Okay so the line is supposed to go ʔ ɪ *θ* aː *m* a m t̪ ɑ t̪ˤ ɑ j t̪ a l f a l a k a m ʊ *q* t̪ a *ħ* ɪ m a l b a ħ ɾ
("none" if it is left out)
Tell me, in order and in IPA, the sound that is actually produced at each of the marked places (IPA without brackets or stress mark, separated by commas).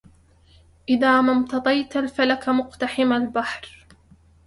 ð, m, q, ħ